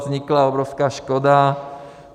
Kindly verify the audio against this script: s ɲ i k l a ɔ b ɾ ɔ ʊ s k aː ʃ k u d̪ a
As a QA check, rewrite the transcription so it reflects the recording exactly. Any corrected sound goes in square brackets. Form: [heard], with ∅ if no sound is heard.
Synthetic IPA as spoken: [z] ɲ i k l a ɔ b ɾ ɔ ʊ s k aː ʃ k [ɔ] d̪ a